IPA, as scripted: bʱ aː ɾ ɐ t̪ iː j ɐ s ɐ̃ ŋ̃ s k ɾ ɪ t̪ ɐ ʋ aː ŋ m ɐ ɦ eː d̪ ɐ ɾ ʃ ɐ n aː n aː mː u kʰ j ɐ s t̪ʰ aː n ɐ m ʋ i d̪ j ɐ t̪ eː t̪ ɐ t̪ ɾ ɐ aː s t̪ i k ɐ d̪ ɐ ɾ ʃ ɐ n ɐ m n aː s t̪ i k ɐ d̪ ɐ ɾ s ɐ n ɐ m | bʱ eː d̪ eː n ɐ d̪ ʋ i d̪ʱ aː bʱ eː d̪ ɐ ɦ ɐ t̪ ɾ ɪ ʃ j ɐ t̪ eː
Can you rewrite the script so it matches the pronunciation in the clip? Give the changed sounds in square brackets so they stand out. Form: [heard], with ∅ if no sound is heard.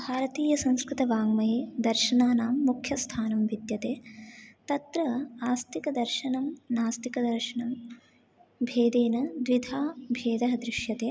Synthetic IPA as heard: bʱ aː ɾ ɐ t̪ iː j ɐ s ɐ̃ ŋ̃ s k ɾ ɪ t̪ ɐ ʋ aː ŋ m ɐ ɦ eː d̪ ɐ ɾ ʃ ɐ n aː n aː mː u kʰ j ɐ s t̪ʰ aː n ɐ m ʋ i d̪ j ɐ t̪ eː t̪ ɐ t̪ ɾ ɐ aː s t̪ i k ɐ d̪ ɐ ɾ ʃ ɐ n ɐ m n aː s t̪ i k ɐ d̪ ɐ ɾ [ʃ] ɐ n ɐ m | bʱ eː d̪ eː n ɐ d̪ ʋ i d̪ʱ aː bʱ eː d̪ ɐ ɦ ɐ [d̪] ɾ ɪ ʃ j ɐ t̪ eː